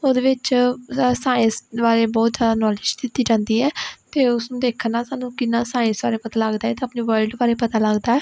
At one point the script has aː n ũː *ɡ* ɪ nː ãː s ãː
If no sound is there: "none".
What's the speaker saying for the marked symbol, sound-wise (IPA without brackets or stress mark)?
k